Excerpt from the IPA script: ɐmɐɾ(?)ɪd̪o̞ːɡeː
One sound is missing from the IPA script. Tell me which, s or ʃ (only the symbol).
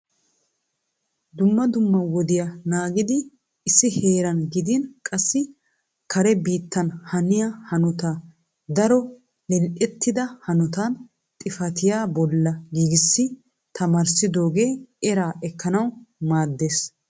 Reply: s